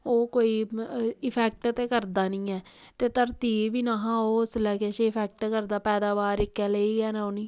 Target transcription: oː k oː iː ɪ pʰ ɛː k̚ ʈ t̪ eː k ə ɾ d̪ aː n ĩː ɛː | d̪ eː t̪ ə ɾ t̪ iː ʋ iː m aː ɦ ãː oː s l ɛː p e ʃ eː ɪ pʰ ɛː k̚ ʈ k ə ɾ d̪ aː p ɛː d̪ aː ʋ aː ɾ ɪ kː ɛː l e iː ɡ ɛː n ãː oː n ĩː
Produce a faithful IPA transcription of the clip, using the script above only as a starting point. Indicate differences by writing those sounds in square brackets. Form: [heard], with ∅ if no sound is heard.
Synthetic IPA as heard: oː k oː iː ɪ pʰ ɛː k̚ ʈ t̪ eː k ə ɾ d̪ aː n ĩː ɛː | [t̪] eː t̪ ə ɾ t̪ iː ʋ iː [n] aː ɦ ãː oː s l ɛː [k] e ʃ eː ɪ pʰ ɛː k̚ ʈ k ə ɾ d̪ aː p ɛː d̪ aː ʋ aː ɾ ɪ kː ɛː l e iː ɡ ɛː n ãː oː n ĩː